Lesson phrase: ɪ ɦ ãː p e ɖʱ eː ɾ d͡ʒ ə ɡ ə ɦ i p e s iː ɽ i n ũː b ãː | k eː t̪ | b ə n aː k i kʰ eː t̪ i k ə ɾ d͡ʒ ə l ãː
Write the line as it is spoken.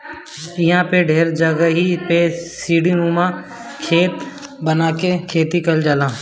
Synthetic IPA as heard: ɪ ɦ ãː p e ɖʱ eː ɾ d͡ʒ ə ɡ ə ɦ i p e s iː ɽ i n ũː m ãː | kʰ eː t̪ | b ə n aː k e kʰ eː t̪ i k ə l d͡ʒ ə l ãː